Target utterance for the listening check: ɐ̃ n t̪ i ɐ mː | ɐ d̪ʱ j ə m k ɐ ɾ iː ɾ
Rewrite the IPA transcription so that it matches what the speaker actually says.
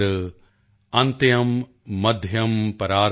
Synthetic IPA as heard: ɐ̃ n t̪ j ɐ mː | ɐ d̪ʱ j ɐ m p ɐ ɾ aː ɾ